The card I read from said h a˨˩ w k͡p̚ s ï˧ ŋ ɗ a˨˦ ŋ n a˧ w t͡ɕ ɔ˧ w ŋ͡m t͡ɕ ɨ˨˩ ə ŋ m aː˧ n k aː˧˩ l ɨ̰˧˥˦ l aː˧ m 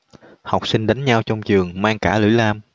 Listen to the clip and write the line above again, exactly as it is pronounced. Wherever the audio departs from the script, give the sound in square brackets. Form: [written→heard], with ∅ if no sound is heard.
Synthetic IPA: h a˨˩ w k͡p̚ s ï˧ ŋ ɗ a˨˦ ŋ [n→ɲ] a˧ w t͡ɕ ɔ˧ w ŋ͡m t͡ɕ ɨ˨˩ ə ŋ m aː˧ [n→ŋ] k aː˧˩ l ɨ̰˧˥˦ l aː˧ m